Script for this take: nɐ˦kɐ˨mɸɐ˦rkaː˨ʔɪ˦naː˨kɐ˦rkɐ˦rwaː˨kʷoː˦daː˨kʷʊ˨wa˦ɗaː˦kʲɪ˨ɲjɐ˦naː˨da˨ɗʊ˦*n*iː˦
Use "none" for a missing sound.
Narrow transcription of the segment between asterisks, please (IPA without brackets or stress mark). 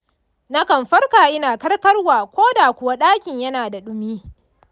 m